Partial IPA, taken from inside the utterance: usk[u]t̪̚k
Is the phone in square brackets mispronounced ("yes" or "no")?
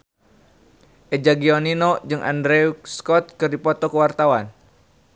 yes